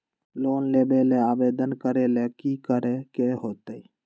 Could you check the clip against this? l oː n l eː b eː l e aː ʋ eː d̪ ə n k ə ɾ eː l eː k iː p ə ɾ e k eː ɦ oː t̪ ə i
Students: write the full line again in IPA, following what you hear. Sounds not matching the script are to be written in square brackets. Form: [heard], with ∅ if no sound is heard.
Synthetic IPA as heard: l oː n l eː b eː l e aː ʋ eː d̪ ə n k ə ɾ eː l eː k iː [k] ə ɾ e k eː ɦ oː t̪ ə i

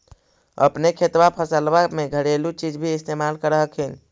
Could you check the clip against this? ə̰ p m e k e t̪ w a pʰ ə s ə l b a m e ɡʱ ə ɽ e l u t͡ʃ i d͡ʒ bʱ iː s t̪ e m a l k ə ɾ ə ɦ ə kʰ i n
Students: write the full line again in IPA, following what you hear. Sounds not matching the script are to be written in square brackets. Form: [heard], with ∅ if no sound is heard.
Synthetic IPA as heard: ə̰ p [n] e [kʰ] e t̪ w a pʰ ə s ə l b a m e ɡʱ ə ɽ e l u t͡ʃ i d͡ʒ bʱ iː s t̪ e m a l k ə ɾ ə ɦ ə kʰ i n

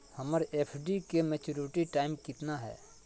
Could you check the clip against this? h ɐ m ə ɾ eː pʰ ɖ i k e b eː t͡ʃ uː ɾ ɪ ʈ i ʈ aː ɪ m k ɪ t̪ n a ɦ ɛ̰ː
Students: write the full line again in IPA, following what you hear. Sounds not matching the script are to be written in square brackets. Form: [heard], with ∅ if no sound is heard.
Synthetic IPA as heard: h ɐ m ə ɾ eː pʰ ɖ i k e [m] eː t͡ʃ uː ɾ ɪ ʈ i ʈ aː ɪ m k ɪ t̪ n a ɦ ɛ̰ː

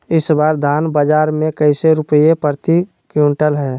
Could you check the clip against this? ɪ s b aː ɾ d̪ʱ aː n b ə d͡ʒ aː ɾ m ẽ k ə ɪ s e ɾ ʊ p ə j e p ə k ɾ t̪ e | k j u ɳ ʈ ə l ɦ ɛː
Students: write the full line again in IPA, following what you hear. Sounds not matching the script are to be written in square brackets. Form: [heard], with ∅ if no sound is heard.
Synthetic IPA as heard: ɪ s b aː ɾ d̪ʱ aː n b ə d͡ʒ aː ɾ m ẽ k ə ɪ s e ɾ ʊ p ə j e p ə [∅] ɾ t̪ [i] | k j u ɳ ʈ ə l ɦ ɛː

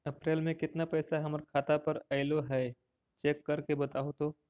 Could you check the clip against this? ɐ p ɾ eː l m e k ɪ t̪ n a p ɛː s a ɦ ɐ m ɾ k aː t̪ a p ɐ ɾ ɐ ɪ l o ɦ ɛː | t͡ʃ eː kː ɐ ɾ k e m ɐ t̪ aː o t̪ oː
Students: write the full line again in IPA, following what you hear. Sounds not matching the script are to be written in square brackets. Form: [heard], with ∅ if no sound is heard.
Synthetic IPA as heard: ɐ p ɾ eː l m [ẽ] k ɪ t̪ n a p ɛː s a ɦ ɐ m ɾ [kʰ] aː t̪ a p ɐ ɾ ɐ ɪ l o ɦ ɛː | t͡ʃ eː kː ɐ ɾ k e [b] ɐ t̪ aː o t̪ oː

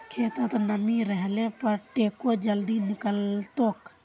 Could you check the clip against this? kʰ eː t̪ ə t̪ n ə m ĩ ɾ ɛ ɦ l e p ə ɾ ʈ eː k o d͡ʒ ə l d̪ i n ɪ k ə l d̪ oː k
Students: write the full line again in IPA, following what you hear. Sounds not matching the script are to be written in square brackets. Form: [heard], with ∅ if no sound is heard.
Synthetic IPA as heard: kʰ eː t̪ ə t̪ n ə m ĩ ɾ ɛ ɦ l e p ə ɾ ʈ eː k o d͡ʒ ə l d̪ i n ɪ k ə l [t̪] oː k

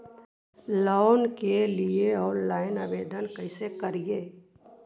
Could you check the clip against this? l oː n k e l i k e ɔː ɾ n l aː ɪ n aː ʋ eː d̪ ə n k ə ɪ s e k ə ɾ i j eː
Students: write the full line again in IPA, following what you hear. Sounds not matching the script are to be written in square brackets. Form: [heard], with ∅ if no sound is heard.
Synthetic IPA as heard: l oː n k e l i [∅] e ɔː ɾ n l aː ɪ n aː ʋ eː d̪ ə n k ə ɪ s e k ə ɾ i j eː

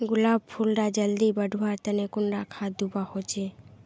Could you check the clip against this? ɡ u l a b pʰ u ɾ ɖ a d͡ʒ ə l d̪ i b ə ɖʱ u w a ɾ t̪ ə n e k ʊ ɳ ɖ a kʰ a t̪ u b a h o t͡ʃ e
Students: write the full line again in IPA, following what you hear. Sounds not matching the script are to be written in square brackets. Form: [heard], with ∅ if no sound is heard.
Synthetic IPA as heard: ɡ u l a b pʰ u [l] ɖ a d͡ʒ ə l d̪ i b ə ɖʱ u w a ɾ t̪ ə n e k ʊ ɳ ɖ a kʰ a [d̪] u b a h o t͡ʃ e

